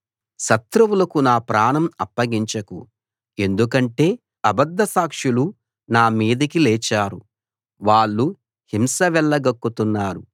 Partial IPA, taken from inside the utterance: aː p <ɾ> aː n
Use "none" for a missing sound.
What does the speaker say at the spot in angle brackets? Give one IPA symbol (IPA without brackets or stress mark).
ɾ